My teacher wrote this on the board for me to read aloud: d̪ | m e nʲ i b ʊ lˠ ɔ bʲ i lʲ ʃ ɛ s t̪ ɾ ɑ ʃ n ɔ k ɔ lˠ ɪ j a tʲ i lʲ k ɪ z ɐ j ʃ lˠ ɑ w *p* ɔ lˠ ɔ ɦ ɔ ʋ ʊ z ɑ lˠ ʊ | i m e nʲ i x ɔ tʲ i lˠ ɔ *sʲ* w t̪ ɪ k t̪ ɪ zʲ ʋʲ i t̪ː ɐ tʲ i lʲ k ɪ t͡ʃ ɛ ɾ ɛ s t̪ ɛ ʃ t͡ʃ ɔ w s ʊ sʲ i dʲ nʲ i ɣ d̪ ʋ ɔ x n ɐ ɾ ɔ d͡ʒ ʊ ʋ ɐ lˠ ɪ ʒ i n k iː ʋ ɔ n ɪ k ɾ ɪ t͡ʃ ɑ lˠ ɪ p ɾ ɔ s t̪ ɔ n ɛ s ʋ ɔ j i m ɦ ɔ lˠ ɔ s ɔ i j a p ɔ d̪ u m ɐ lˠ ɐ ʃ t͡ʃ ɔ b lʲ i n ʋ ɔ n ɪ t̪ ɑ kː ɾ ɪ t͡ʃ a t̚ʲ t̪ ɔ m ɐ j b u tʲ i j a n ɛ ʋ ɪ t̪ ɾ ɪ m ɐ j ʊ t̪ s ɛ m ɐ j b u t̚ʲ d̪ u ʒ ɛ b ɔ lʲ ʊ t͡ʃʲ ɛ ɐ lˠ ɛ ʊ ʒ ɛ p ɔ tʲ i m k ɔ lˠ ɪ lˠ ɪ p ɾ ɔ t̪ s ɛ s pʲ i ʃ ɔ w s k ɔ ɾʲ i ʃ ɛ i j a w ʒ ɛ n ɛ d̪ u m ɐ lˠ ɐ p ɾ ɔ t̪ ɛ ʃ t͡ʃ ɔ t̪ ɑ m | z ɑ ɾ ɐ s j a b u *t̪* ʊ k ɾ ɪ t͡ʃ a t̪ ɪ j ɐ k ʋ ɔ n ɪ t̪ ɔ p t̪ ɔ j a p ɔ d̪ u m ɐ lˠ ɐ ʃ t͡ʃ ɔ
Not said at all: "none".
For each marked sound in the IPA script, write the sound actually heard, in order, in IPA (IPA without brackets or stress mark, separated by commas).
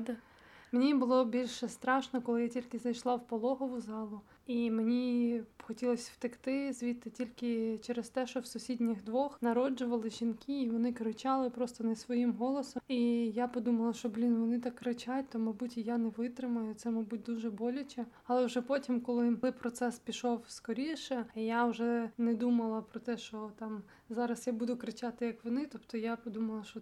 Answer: p, sʲ, d̪